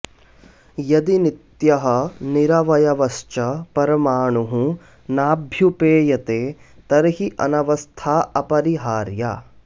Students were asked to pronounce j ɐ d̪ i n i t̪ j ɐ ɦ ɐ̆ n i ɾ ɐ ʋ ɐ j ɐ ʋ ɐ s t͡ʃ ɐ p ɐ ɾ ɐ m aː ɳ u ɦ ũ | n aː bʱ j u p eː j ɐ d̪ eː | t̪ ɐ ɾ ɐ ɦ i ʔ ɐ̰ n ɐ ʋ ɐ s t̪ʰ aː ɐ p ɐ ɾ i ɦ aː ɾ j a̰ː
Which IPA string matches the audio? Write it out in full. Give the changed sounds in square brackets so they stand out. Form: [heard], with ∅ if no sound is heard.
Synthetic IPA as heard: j ɐ d̪ i n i t̪ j ɐ ɦ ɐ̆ n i ɾ ɐ ʋ ɐ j ɐ ʋ ɐ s t͡ʃ ɐ p ɐ ɾ ɐ m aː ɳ u ɦ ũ | n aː bʱ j u p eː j ɐ [t̪] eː | t̪ ɐ ɾ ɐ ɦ i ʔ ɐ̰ n ɐ ʋ ɐ s t̪ʰ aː ɐ p ɐ ɾ i ɦ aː ɾ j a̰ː